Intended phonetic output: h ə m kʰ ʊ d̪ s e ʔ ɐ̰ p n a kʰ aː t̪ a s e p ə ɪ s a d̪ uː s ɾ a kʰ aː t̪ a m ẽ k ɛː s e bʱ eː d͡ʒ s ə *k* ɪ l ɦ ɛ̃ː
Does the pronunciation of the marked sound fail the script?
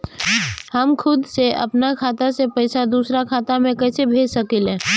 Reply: no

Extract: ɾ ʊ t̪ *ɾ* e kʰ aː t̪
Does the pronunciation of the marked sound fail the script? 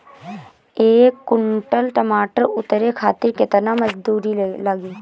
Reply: no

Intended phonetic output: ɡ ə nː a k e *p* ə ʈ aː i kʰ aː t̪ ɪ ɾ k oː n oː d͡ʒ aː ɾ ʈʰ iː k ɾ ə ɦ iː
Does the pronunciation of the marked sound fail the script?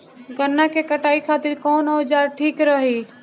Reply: yes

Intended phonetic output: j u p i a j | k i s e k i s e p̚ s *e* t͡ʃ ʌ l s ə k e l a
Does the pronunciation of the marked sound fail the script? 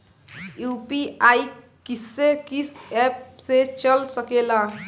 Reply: no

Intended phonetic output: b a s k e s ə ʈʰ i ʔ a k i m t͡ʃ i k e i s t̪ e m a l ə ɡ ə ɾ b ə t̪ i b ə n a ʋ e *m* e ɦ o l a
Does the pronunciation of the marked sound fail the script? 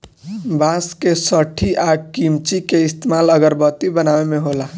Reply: no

